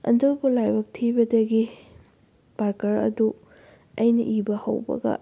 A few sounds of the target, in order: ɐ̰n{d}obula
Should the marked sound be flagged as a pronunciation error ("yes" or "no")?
no